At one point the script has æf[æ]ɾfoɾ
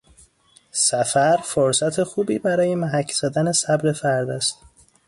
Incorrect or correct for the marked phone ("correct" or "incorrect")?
correct